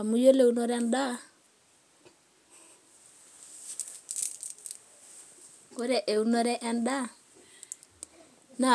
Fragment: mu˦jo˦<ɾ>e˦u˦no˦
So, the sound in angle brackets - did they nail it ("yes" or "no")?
no